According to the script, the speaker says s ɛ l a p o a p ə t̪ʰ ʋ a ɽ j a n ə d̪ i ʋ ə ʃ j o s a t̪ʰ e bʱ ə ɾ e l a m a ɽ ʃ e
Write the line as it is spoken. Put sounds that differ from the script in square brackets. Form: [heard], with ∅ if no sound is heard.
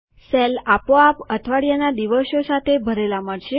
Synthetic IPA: s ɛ l a p o a p ə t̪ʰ ʋ a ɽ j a n [a] d̪ i ʋ ə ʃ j o s a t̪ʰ e bʱ ə ɾ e l a m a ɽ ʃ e